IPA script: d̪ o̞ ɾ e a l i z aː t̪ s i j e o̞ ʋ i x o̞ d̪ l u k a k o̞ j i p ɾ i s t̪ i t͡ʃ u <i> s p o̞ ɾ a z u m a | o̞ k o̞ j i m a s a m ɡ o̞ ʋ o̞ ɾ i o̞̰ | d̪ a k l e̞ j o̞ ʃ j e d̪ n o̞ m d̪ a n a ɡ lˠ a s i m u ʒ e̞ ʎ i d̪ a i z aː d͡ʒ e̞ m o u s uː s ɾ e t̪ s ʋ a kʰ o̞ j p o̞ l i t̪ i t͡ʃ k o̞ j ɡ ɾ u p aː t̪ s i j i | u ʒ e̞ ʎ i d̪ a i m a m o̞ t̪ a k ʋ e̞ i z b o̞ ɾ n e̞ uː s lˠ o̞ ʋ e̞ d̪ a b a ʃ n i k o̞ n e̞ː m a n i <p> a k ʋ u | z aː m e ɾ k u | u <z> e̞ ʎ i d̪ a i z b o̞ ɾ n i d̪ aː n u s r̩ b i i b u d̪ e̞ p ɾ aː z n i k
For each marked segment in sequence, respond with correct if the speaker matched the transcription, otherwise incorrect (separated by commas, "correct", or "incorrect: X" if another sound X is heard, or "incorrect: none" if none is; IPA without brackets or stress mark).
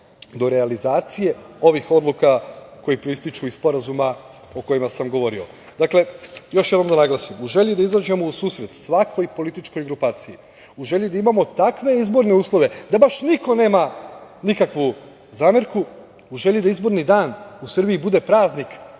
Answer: correct, incorrect: k, incorrect: ʒ